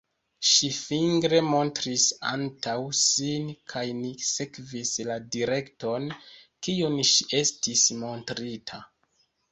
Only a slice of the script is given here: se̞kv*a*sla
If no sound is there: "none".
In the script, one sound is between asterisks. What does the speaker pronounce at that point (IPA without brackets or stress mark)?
i